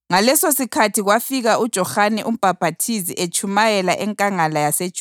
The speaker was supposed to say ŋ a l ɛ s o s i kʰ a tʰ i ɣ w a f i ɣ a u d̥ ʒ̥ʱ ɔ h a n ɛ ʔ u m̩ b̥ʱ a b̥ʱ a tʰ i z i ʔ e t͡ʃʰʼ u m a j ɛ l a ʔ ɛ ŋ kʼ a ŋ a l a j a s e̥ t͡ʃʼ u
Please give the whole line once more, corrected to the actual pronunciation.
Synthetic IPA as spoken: ŋ a l ɛ s o s i kʰ a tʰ i ɣ w a f i ɣ a u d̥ ʒ̥ʱ ɔ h a n ɛ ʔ u m̩ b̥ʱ a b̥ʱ a tʰ i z i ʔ e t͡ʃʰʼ u m a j ɛ l a ʔ ɛ ŋ kʼ a ŋ a l a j a s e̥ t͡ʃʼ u